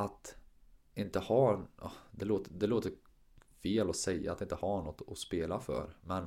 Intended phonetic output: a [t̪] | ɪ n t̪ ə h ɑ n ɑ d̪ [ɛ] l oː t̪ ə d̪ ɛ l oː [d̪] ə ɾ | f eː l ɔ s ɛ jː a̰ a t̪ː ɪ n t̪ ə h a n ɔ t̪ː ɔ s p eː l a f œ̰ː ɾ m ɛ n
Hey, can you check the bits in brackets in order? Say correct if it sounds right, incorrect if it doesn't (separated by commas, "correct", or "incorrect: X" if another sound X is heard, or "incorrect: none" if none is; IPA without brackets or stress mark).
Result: correct, correct, incorrect: t̪